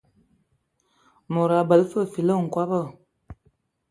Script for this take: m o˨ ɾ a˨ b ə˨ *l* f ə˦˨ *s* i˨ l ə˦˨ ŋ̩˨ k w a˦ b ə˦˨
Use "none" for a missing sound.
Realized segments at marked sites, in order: l, f

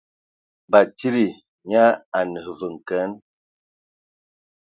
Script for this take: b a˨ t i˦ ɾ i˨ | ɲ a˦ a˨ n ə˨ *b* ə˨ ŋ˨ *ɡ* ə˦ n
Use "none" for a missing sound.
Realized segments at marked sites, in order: v, k

